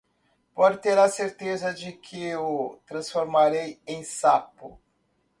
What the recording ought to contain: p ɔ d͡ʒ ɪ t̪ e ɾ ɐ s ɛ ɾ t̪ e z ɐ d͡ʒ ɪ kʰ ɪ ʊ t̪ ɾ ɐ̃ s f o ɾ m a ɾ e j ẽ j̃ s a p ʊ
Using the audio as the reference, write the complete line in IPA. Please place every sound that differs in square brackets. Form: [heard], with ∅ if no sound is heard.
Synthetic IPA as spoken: p ɔ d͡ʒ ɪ t̪ e ɾ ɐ s [e] ɾ t̪ e z ɐ d͡ʒ ɪ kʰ ɪ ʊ t̪ ɾ ɐ̃ s f o ɾ m a ɾ e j ẽ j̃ s a p ʊ